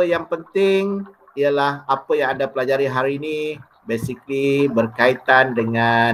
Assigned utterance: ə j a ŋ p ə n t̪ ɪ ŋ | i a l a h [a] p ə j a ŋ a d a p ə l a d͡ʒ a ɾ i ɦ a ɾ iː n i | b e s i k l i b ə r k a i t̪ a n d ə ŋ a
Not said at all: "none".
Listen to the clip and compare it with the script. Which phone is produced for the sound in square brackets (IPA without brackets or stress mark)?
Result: a